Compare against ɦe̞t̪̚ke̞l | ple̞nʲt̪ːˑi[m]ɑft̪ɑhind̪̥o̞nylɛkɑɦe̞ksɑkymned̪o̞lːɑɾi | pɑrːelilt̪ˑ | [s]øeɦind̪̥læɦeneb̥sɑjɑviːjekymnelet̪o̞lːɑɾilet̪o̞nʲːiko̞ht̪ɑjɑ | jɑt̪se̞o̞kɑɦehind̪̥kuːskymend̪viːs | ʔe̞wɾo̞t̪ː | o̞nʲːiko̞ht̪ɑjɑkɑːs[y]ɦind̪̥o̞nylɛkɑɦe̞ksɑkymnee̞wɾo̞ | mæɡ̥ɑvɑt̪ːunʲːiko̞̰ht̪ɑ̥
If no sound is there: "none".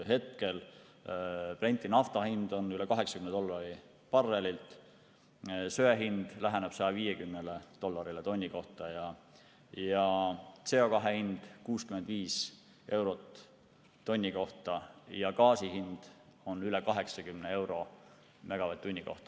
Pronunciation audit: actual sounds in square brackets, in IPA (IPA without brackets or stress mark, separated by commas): n, s, i